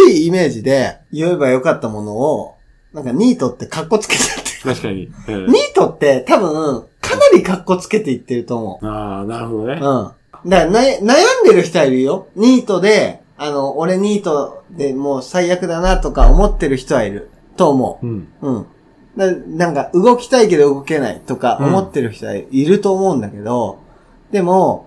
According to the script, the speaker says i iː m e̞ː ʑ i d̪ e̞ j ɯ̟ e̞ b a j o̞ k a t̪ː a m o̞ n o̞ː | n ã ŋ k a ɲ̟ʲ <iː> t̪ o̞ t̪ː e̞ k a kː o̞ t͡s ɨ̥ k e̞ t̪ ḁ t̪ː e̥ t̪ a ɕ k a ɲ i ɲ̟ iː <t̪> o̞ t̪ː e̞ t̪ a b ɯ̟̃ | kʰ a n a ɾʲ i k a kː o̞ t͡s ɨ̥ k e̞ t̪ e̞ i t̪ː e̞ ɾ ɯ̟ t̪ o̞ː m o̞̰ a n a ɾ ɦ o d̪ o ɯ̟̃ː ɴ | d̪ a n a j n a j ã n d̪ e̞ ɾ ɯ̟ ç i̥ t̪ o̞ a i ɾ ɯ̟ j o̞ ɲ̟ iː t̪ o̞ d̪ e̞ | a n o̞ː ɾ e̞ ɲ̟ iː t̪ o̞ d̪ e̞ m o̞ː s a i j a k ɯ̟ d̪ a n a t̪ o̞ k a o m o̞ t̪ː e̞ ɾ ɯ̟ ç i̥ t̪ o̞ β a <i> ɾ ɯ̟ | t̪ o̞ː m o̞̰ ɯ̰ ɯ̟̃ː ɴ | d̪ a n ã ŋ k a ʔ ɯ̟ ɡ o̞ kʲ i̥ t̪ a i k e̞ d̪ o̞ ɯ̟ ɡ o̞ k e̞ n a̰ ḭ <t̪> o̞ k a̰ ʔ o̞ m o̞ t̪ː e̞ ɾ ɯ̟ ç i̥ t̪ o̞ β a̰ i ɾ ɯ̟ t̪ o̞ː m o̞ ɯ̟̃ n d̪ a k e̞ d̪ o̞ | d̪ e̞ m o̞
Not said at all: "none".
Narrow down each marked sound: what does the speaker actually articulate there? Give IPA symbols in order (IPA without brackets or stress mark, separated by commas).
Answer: iː, t̪, i, t̪